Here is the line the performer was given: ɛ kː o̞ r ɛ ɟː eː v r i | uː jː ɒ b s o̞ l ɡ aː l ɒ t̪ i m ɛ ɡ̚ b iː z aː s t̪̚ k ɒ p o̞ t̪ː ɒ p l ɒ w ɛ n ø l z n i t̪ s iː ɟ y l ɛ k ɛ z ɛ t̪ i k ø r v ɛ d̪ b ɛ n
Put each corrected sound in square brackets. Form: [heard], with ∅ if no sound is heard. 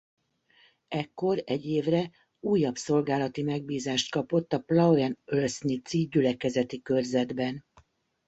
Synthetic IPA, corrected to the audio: ɛ kː o̞ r ɛ ɟː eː v r [ɛ] | uː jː ɒ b s o̞ l ɡ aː l ɒ t̪ i m ɛ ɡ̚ b iː z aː [ʃ] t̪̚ k ɒ p o̞ t̪ː ɒ p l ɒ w ɛ n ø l [s] n i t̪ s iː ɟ y l ɛ k ɛ z ɛ t̪ i k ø r [z] ɛ d̪ b ɛ n